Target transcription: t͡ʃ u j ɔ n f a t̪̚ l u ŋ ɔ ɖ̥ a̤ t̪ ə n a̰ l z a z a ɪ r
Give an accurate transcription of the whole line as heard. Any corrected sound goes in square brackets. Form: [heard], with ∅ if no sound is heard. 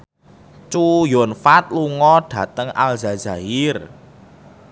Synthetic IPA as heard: t͡ʃ u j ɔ n f a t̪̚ l u ŋ ɔ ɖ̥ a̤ t̪ ə [ŋ] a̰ l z a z a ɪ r